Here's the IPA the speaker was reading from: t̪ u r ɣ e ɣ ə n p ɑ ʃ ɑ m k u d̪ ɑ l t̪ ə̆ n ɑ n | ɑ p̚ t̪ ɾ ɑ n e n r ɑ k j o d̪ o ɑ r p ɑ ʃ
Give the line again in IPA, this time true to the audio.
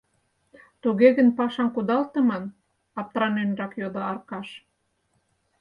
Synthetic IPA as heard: t̪ u ɣ e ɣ ə n p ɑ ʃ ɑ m k u d̪ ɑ l t̪ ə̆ m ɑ n | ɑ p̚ t̪ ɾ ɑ n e n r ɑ k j o d̪ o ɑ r k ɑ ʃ

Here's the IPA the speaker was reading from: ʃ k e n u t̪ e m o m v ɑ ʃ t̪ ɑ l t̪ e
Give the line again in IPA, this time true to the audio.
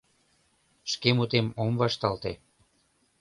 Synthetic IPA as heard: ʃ k e m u t̪ e m o m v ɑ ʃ t̪ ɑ l t̪ e

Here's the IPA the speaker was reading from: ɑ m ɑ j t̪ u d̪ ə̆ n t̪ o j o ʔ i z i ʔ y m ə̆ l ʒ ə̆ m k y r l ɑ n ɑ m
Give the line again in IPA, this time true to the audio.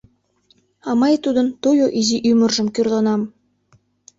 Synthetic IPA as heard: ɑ m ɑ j t̪ u d̪ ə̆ n t̪ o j o ʔ i z i ʔ y m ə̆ r ʒ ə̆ m k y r l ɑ n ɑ m

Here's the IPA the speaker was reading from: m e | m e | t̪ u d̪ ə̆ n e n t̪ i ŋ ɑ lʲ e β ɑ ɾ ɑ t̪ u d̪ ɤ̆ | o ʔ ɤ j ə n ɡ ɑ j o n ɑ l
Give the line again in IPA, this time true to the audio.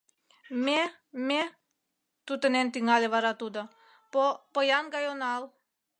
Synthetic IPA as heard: m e | m e | t̪ u t̪ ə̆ n e n t̪ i ŋ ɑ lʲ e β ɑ ɾ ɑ t̪ u d̪ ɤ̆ | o p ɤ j ɑ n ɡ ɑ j o n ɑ l

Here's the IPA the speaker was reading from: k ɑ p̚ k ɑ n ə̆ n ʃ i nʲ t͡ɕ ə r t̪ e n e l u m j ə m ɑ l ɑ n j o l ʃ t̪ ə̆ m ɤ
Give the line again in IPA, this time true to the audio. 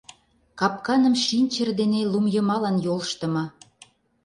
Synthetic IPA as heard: k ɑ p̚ k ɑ n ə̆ m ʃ i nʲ t͡ɕ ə r d̪ e n e l u m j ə m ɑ l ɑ n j o l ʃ t̪ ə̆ m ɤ

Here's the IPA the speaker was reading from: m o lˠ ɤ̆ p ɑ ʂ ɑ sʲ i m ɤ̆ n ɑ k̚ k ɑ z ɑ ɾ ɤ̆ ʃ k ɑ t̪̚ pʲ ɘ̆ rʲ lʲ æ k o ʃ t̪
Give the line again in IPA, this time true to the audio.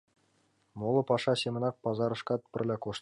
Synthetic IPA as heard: m o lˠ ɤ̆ p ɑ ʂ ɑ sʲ e m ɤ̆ n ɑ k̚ p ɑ z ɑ ɾ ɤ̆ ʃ k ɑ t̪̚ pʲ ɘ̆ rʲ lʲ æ k o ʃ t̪

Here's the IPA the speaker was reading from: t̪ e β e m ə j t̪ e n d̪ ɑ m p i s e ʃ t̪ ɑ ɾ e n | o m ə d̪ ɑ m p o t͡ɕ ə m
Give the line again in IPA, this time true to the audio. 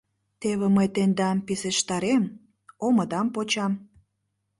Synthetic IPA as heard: t̪ e β e m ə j t̪ e n d̪ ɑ m p i s e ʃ t̪ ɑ ɾ e m | o m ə d̪ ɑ m p o t͡ɕ ɑ m

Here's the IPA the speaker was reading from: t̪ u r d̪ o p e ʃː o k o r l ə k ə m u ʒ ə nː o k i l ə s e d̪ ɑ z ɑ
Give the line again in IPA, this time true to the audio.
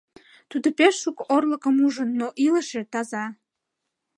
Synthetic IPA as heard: t̪ u d̪ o p e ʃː u k o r l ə k ə m u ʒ ə nː o ʔ i l ə ʃ e t̪ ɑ z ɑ

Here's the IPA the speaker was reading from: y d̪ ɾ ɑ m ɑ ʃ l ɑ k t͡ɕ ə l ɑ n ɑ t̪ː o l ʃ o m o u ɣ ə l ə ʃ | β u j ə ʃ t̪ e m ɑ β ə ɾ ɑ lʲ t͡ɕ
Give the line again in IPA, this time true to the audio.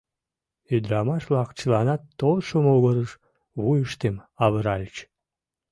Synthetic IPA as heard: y d̪ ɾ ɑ m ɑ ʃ l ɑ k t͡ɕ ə l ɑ n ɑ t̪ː o l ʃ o m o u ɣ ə ɾ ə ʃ | β u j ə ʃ t̪ e m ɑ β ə ɾ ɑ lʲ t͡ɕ

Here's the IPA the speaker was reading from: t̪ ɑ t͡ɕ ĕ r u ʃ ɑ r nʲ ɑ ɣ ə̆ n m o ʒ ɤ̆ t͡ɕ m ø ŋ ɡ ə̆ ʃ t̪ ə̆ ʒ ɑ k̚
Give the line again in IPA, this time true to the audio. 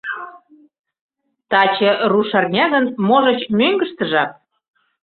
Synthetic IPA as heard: t̪ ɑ t͡ɕ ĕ r u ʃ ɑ r nʲ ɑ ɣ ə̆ n m o ʒ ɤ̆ t͡ɕ m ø ŋ ɡ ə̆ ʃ t̪ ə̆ ʒ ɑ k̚

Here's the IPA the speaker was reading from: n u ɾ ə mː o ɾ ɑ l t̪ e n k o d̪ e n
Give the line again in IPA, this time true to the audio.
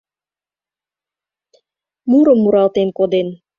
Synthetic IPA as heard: m u ɾ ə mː u ɾ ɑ l t̪ e n k o d̪ e n

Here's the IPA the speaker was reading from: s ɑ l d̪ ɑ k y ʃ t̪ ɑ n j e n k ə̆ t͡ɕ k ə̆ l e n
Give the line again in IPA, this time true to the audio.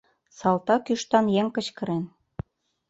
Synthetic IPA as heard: s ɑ l t̪ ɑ k y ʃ t̪ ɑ n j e ŋ k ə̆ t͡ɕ k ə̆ ɾ e n

